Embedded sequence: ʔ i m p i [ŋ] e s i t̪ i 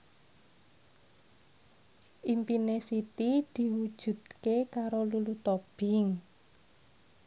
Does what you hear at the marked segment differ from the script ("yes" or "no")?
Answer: yes